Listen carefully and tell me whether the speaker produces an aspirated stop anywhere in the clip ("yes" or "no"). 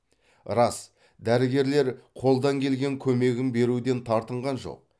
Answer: yes